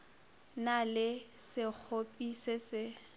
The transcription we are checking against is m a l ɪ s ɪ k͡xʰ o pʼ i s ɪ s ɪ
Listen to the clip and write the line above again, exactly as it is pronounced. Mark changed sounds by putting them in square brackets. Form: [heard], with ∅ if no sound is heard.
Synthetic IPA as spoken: [n] a l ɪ s ɪ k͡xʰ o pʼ i s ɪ s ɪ